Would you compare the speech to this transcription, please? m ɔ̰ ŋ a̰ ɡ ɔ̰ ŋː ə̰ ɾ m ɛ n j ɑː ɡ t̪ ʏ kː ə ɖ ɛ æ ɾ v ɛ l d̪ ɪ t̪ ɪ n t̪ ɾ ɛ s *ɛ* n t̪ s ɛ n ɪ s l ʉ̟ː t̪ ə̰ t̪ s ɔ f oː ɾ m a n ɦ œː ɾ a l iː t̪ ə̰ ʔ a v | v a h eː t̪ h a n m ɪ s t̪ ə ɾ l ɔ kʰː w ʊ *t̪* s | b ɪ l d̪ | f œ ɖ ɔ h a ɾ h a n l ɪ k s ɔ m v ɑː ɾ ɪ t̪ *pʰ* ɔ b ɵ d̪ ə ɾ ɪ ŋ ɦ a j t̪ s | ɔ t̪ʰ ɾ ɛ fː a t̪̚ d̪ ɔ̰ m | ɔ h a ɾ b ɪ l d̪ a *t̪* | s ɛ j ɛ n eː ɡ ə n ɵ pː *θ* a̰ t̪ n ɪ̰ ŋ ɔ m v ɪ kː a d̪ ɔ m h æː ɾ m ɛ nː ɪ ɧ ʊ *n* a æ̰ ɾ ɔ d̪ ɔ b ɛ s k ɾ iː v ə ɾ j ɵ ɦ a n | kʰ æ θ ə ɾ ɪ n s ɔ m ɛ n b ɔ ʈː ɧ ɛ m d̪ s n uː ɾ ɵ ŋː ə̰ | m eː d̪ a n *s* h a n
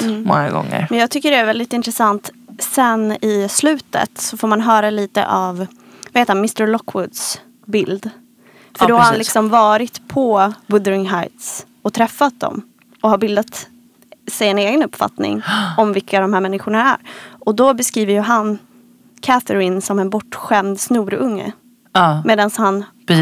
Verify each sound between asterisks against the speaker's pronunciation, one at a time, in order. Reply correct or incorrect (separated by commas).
incorrect, incorrect, correct, correct, incorrect, incorrect, correct